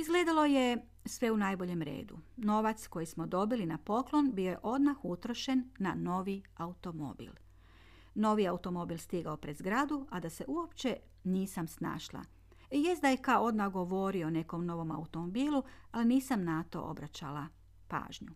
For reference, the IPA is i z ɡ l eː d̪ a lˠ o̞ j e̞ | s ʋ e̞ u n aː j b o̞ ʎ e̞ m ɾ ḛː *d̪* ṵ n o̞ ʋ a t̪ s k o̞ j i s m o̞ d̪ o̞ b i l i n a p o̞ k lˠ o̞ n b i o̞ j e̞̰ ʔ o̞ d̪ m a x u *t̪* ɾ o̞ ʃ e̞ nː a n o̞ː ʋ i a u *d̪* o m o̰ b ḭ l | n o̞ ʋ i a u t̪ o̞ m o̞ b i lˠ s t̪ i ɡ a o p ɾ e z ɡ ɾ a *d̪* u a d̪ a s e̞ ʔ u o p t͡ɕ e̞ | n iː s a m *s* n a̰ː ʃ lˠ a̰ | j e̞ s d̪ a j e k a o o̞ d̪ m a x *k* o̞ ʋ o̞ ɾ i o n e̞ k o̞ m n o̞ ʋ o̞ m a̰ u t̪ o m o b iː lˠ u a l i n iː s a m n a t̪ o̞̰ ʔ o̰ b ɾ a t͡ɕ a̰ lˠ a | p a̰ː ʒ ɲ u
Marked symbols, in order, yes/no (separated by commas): yes, yes, no, yes, yes, no